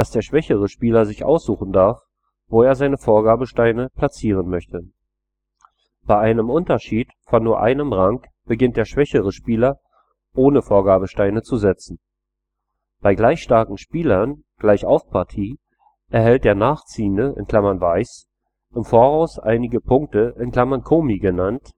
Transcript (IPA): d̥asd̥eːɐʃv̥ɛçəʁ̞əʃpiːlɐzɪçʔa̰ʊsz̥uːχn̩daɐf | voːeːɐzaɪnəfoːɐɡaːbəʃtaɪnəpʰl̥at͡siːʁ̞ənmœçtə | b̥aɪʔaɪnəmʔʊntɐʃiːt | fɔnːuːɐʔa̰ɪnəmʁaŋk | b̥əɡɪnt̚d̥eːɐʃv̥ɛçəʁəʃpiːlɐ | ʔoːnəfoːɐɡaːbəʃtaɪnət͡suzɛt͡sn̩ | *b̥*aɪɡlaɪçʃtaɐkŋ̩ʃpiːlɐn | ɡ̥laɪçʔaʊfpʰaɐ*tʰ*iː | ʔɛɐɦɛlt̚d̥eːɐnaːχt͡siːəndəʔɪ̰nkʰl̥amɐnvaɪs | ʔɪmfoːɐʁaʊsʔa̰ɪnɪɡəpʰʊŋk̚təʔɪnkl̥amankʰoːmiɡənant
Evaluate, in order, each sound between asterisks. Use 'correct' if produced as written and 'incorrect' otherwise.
correct, correct

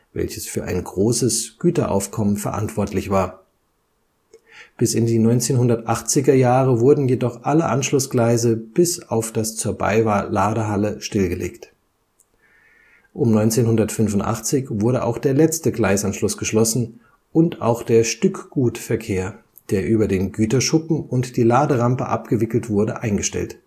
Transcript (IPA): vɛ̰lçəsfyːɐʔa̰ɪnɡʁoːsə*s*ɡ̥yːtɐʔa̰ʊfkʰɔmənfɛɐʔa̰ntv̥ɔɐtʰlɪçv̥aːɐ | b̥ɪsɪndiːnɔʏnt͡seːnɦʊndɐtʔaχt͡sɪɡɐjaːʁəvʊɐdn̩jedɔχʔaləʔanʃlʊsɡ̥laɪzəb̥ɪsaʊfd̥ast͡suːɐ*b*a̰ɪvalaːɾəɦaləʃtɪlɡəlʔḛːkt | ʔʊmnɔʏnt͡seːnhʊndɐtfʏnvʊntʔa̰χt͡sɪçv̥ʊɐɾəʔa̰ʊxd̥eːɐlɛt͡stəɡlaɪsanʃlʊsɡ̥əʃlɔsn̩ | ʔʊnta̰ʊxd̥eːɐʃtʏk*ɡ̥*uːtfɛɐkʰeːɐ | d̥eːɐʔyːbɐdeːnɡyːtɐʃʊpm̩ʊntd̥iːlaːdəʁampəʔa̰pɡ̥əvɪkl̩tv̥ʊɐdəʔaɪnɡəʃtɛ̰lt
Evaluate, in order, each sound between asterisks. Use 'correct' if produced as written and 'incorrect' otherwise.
correct, correct, correct

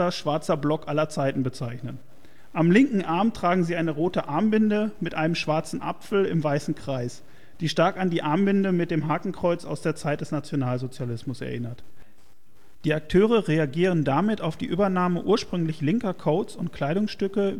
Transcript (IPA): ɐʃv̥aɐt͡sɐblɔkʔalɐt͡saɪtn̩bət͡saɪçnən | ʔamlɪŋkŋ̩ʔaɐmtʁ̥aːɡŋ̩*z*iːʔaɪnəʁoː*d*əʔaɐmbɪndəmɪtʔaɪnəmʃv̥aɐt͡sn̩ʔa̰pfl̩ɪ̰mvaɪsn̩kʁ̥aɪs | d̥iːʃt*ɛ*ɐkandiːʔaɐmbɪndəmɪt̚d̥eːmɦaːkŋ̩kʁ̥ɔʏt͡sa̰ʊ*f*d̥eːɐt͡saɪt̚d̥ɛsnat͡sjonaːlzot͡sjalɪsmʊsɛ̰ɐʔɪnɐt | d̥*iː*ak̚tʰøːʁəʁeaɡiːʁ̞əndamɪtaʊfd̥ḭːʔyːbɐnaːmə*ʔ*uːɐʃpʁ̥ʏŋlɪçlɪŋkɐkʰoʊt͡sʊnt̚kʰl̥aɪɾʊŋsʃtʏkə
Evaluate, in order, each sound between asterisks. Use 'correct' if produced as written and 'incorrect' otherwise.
correct, incorrect: t, incorrect: a, incorrect: s, correct, correct

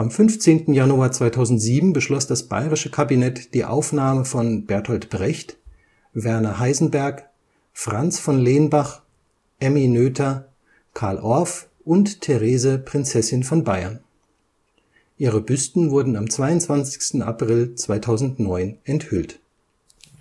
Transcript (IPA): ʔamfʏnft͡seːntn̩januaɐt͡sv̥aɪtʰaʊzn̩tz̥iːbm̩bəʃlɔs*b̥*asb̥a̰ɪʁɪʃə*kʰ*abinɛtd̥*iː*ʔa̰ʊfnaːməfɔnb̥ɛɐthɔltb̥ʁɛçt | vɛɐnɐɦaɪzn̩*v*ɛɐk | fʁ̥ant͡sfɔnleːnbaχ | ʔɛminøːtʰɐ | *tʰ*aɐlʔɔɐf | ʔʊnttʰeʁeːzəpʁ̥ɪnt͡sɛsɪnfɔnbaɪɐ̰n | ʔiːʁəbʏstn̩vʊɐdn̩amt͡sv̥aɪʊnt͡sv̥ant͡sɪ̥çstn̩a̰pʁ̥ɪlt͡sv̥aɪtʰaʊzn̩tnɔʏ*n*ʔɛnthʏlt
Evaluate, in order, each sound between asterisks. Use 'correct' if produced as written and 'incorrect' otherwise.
incorrect: d̥, correct, correct, incorrect: b, incorrect: kʰ, correct

